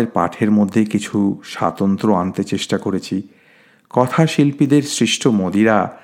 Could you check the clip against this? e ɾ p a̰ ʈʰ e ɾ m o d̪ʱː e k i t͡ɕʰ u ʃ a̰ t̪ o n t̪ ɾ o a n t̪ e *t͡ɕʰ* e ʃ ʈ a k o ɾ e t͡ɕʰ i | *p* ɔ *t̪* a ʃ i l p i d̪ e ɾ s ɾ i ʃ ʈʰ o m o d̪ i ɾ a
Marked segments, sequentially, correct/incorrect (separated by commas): incorrect, incorrect, incorrect